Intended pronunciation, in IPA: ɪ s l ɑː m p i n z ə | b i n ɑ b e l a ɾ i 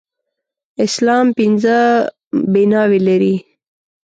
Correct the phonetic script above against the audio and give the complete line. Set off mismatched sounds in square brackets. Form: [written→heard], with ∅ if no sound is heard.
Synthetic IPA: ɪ s l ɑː m p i n z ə | b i n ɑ [b→w] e l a ɾ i